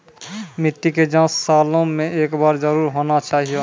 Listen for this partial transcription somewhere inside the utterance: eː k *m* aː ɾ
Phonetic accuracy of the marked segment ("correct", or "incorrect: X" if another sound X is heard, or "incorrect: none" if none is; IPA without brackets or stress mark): incorrect: b